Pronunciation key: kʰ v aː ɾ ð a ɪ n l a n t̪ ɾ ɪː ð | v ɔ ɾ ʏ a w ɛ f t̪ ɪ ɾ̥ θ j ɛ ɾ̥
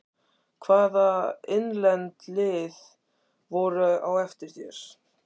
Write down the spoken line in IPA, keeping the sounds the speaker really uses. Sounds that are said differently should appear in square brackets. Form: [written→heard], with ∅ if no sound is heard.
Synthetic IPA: kʰ v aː [ɾ→∅] ð a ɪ n l [a→ɛ] n t̪ [ɾ→l] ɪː ð | v ɔ ɾ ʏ a w ɛ f t̪ ɪ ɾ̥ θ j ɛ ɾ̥